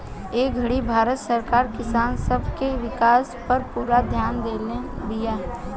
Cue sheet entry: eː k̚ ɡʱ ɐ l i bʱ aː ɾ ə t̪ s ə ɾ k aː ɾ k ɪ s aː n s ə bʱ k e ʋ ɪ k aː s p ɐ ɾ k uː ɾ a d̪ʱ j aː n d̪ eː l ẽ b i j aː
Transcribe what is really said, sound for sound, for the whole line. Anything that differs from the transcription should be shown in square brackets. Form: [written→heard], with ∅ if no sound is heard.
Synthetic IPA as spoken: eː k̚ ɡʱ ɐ [l→ɽ] i bʱ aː ɾ ə t̪ s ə ɾ k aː ɾ k ɪ s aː n s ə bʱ k e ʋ ɪ k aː s p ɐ ɾ [k→p] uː ɾ a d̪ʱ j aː n d̪ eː l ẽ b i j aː